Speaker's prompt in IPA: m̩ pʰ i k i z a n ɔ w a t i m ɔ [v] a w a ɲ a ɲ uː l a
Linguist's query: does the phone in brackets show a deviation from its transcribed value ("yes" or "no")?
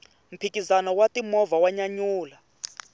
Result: no